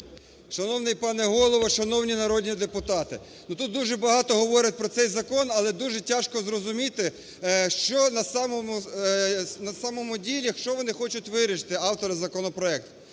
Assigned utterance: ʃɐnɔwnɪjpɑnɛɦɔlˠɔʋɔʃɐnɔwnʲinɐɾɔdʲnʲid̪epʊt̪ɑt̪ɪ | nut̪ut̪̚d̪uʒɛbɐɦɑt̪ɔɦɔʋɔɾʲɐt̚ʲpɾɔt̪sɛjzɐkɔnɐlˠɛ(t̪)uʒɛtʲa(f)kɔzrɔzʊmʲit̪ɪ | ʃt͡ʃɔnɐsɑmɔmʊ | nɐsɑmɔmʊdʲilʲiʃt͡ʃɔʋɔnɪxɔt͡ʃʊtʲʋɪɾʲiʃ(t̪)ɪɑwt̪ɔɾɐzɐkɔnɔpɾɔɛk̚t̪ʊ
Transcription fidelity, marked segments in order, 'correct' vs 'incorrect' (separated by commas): incorrect, incorrect, correct